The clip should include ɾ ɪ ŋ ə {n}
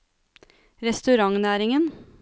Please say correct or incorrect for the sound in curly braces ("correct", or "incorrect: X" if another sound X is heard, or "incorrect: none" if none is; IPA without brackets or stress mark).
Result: correct